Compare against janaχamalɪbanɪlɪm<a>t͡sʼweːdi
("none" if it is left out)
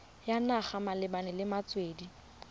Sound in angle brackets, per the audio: a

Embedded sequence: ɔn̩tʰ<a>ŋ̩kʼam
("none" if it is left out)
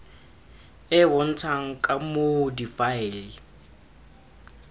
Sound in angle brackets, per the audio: a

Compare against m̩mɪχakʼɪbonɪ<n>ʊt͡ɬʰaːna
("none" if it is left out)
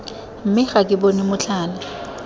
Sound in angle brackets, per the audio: m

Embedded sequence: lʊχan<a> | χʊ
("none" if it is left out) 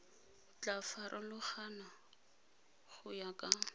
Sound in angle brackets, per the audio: a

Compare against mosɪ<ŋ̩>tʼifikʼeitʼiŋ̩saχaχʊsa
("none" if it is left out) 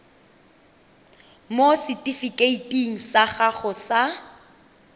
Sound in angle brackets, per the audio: none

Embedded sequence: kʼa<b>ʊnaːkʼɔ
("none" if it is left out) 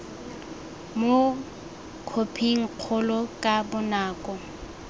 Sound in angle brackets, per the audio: b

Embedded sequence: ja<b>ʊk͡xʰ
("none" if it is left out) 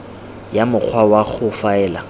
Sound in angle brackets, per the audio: m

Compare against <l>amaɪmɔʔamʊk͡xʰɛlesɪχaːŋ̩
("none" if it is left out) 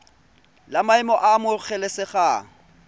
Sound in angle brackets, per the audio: l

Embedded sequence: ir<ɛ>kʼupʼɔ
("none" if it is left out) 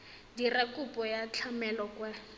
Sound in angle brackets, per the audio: a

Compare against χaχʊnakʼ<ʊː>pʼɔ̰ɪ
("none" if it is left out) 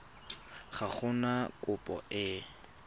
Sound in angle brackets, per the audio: ʊ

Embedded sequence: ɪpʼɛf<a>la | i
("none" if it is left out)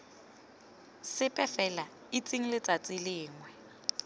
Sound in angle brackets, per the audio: ɛ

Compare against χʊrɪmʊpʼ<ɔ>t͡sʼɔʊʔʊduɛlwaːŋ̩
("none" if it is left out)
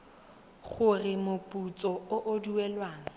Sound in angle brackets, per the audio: u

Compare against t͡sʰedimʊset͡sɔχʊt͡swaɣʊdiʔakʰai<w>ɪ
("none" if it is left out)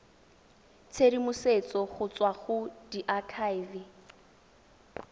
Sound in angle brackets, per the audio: v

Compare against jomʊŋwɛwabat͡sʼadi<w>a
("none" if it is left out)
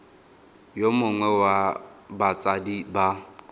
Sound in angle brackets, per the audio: b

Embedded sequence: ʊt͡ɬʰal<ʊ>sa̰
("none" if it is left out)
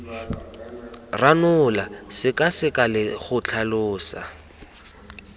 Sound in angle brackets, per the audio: ʊː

